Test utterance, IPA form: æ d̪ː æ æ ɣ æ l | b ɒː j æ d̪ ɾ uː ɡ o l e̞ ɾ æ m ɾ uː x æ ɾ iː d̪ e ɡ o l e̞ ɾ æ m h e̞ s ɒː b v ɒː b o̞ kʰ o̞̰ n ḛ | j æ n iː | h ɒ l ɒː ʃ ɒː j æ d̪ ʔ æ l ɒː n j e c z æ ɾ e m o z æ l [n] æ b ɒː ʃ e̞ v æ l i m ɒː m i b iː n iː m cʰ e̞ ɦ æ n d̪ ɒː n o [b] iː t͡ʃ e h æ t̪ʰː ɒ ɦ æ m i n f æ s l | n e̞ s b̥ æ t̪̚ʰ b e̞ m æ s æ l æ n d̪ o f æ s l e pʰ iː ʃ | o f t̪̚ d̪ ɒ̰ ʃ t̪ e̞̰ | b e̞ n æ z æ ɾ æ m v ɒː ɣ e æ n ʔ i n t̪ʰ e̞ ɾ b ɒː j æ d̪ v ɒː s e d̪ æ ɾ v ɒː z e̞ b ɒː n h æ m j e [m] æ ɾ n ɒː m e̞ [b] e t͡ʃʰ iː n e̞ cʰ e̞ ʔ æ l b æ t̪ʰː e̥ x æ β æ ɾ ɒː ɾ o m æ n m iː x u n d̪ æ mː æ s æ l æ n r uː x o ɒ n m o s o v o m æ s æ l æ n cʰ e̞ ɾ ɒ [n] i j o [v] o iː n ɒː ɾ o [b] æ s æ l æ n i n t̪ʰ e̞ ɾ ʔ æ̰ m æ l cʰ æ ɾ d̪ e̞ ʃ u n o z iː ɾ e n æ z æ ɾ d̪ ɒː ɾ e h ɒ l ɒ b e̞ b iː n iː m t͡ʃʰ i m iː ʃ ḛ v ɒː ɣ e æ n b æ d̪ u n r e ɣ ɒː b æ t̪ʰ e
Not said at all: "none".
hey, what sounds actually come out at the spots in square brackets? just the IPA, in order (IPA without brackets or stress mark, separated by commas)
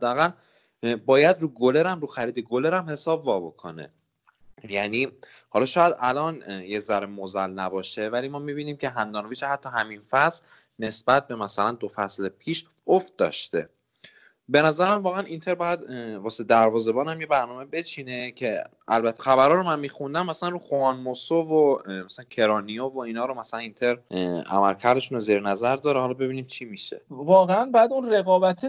n, v, b, b, n, v, m